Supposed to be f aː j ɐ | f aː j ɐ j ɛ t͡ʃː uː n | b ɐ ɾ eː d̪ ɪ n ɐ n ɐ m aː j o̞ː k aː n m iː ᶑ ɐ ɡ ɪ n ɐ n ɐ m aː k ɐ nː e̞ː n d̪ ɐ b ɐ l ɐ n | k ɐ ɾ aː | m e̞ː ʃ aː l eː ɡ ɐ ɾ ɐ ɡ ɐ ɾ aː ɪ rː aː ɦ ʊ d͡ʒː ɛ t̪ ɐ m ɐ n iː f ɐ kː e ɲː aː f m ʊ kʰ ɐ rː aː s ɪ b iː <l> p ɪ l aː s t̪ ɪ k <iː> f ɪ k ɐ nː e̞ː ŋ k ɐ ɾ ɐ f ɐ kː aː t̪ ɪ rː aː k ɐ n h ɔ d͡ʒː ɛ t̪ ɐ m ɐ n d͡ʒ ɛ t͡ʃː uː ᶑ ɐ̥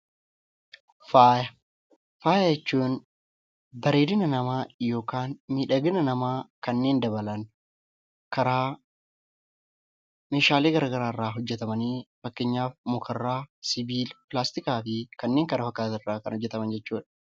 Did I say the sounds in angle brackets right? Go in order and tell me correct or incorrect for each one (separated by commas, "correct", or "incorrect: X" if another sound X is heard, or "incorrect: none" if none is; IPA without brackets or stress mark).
correct, incorrect: aː